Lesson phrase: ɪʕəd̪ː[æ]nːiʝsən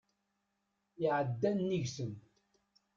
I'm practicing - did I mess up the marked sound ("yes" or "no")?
no